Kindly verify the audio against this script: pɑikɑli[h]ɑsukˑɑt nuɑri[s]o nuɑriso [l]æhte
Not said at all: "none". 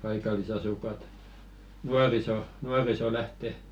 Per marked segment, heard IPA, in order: s, s, l

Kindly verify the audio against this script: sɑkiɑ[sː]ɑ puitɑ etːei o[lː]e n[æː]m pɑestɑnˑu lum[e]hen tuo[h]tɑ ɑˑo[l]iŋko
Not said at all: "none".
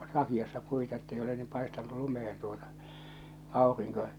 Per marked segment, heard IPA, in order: sː, l, iː, e, none, r

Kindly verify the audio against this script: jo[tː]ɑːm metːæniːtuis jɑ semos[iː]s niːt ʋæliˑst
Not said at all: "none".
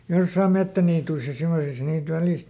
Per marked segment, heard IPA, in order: sː, i

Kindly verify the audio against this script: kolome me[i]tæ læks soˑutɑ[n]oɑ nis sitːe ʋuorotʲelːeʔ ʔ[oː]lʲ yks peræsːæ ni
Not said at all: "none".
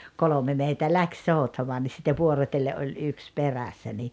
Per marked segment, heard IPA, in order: i, m, o

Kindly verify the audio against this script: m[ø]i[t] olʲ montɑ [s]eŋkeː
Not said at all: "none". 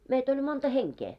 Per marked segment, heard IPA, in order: e, t, h

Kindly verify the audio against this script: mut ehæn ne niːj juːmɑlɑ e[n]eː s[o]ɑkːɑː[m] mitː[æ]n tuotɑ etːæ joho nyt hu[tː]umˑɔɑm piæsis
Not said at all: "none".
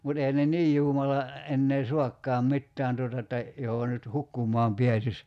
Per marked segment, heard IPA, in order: nː, u, m, æː, kː

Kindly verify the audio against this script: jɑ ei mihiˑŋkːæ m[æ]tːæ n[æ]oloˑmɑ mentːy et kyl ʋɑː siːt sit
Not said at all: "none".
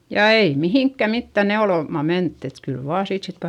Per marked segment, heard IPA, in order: i, e

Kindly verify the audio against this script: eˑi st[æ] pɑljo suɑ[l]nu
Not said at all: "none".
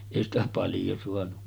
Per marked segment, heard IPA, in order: æ, none

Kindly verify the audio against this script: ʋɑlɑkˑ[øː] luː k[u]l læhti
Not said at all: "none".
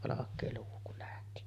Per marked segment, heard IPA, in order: eː, u

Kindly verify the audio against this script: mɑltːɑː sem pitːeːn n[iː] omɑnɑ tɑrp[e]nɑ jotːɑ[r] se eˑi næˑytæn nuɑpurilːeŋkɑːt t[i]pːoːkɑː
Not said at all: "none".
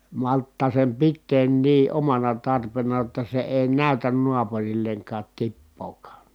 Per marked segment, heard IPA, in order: iː, e, none, i

